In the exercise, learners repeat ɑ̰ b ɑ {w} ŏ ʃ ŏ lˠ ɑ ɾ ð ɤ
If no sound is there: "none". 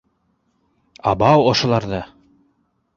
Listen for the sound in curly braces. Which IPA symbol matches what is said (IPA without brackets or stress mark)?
w